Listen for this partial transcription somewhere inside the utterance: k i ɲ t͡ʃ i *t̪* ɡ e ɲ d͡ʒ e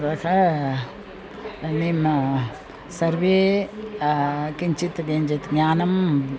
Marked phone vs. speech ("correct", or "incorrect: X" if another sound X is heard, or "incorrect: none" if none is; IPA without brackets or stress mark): correct